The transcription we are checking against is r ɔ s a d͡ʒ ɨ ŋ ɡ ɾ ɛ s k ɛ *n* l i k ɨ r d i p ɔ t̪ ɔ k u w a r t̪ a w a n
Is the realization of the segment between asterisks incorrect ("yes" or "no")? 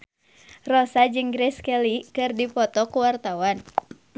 yes